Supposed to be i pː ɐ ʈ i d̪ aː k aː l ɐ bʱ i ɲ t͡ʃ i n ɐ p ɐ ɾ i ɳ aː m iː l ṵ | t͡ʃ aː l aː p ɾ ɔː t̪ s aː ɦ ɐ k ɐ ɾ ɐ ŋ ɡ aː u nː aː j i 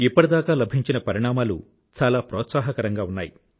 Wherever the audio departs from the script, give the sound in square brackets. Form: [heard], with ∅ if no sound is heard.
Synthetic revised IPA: i pː ɐ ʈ i d̪ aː k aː l ɐ bʱ i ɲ t͡ʃ i n ɐ p ɐ ɾ i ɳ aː m [aː] l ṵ | t͡ʃ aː l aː p ɾ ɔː t̪ s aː ɦ ɐ k ɐ ɾ ɐ ŋ ɡ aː u nː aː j i